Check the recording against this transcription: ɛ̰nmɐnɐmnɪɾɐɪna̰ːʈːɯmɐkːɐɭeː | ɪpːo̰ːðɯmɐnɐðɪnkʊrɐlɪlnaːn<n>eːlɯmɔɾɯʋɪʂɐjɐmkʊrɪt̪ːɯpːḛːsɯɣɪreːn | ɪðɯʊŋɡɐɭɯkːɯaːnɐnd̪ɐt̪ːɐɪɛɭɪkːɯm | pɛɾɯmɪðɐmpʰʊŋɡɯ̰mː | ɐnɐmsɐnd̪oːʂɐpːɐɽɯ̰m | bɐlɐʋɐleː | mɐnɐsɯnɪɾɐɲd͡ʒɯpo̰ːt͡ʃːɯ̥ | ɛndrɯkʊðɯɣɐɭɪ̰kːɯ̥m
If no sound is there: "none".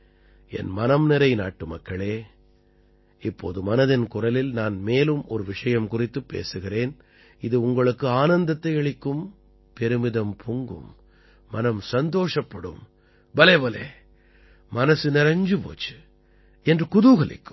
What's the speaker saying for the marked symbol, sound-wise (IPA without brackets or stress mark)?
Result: m